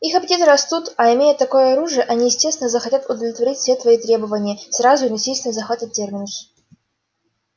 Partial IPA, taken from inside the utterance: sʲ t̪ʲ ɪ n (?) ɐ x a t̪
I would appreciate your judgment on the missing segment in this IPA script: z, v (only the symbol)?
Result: z